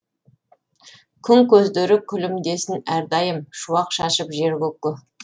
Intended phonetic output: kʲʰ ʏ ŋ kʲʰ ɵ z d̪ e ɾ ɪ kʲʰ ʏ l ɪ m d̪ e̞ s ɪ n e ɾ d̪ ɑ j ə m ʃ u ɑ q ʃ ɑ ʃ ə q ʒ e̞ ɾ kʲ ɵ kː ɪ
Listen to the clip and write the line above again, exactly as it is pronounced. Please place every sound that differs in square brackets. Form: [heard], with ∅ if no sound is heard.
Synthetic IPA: kʲʰ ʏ ŋ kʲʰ ɵ z d̪ e ɾ ɪ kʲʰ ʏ l ɪ m d̪ e̞ s ɪ n [æ] ɾ d̪ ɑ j ə m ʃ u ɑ q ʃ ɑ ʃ ə [p] ʒ e̞ ɾ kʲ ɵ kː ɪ